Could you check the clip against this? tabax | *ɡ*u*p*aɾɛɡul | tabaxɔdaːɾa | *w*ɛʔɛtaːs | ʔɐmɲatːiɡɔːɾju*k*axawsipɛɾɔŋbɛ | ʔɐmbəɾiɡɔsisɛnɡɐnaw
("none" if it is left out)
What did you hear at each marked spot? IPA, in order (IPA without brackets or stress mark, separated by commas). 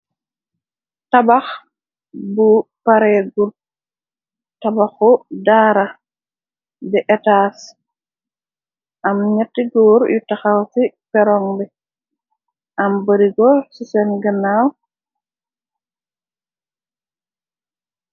b, p, b, t